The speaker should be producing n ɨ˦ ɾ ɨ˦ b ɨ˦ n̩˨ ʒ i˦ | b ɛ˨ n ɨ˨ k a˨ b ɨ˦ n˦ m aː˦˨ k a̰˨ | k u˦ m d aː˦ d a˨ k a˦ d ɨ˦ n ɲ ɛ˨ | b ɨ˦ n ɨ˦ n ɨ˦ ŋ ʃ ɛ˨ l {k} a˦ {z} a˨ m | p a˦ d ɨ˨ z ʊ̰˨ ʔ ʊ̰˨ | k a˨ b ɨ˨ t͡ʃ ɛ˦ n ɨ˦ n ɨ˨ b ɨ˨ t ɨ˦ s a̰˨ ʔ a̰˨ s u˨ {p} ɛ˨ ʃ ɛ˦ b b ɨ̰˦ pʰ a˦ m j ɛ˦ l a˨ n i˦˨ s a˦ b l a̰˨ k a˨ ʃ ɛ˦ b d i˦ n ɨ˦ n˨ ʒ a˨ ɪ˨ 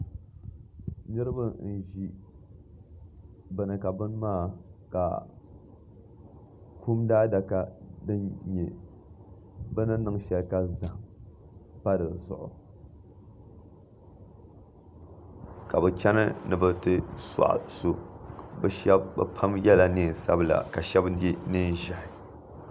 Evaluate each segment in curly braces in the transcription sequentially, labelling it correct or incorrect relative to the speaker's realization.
correct, correct, incorrect: b

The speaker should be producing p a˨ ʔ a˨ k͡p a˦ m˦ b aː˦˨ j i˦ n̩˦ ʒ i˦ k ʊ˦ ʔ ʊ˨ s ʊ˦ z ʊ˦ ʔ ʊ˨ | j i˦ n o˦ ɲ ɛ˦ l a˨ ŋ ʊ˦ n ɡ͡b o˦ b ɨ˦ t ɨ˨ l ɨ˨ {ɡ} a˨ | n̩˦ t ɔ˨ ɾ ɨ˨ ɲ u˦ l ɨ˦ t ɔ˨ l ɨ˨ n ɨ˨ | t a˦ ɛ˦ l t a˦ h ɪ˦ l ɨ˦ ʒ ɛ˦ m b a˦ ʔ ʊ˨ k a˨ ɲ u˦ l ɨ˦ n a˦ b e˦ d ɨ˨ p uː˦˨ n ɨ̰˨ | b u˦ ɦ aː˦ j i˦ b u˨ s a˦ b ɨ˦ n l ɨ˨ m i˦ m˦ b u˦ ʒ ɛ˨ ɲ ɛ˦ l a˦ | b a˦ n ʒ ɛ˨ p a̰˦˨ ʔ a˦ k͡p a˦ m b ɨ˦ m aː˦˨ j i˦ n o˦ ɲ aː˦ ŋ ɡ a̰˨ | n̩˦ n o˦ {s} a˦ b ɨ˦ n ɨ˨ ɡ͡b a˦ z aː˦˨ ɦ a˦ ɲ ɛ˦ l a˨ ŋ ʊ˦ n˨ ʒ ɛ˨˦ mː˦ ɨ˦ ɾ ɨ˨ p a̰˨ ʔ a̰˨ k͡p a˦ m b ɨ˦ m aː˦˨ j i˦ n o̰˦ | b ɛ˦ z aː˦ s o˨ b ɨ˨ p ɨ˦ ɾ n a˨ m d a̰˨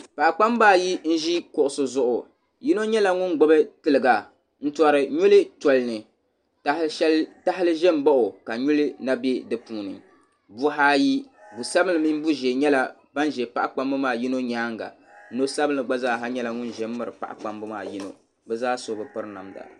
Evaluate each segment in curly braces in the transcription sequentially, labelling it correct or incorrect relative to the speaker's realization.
correct, correct

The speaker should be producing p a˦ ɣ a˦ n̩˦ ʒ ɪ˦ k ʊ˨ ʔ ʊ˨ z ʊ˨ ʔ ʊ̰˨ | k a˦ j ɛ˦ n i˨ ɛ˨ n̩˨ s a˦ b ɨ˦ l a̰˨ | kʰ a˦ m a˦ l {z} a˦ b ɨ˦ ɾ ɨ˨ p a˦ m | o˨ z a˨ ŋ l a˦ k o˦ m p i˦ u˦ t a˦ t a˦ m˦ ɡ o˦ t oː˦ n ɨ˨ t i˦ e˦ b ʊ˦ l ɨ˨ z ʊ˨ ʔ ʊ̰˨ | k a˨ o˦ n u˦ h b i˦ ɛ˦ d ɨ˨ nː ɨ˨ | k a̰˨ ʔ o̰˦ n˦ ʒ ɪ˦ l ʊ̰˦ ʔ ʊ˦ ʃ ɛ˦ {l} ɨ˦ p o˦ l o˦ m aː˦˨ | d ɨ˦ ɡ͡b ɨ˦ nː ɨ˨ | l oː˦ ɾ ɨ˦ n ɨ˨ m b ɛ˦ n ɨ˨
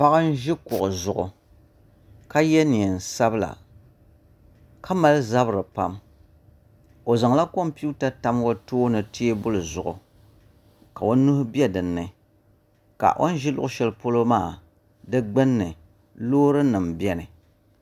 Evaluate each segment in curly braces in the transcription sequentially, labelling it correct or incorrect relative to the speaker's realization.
correct, correct

